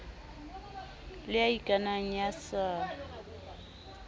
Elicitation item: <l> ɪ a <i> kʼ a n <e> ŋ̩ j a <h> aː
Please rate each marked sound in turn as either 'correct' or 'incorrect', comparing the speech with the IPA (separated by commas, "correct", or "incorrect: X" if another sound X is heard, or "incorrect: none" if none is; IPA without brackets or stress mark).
correct, correct, incorrect: a, incorrect: s